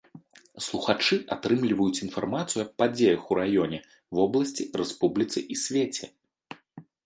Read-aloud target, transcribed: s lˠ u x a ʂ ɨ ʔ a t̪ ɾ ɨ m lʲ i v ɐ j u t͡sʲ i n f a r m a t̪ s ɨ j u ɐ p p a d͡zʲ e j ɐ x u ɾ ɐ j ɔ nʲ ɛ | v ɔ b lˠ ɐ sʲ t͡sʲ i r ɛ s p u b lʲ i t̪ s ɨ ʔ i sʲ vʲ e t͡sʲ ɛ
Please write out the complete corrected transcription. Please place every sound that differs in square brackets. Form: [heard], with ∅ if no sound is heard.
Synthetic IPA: s lˠ u x a [t͡ʂ] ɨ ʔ a t̪ ɾ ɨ m lʲ i v ɐ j u t͡sʲ i n f a r m a t̪ s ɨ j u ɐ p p a d͡zʲ e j ɐ x u ɾ [a] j ɔ nʲ ɛ | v ɔ b lˠ ɐ sʲ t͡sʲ i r ɛ s p u b lʲ i t̪ s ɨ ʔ i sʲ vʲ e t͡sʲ ɛ

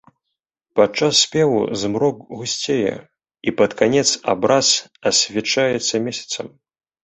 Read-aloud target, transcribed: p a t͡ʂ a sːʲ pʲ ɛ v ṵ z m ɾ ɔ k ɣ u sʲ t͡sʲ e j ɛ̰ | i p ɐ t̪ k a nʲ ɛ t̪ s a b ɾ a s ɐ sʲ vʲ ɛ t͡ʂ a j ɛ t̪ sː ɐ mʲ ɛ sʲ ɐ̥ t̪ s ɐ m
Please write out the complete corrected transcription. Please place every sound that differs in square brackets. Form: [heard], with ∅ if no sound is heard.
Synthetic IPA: p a t͡ʂ a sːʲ pʲ ɛ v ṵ z m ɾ ɔ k ɣ u sʲ t͡sʲ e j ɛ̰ | i p ɐ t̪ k a nʲ ɛ t̪ s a b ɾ a s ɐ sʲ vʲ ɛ t͡ʂ a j ɛ t̪ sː ɐ mʲ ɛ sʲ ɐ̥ t̪ s ɐ m

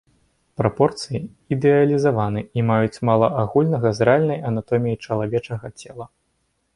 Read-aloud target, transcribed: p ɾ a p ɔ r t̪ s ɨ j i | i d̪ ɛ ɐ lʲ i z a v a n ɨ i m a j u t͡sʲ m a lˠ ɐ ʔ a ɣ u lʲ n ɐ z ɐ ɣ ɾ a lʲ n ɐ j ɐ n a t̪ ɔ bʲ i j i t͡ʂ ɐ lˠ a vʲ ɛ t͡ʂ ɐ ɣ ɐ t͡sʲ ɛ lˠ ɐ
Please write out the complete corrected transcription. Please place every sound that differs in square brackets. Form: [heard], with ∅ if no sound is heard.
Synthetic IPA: p ɾ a p ɔ r t̪ s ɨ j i | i d̪ ɛ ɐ lʲ i z a v a n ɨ i m a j u t͡sʲ m a lˠ ɐ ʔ a ɣ u lʲ n ɐ [ɣ] ɐ [z] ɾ a lʲ n ɐ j ɐ n a t̪ ɔ [mʲ] i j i t͡ʂ ɐ lˠ a vʲ ɛ t͡ʂ ɐ ɣ ɐ t͡sʲ ɛ lˠ ɐ

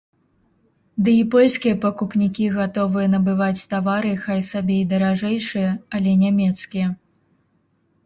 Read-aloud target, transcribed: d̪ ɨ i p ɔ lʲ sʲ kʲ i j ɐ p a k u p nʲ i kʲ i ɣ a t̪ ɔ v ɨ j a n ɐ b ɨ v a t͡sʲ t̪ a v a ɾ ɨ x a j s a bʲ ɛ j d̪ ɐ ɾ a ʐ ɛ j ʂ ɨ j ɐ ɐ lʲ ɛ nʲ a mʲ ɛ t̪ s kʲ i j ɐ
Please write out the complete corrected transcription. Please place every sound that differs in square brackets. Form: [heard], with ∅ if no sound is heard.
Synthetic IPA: d̪ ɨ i p ɔ lʲ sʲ kʲ i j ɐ p [ɐ] k u p nʲ i kʲ i ɣ a t̪ ɔ v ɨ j [ɐ] n ɐ b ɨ v a t͡sʲ t̪ a v a ɾ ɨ x a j s a bʲ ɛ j d̪ ɐ ɾ a ʐ ɛ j ʂ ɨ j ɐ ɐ lʲ ɛ nʲ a mʲ ɛ t̪ s kʲ i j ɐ

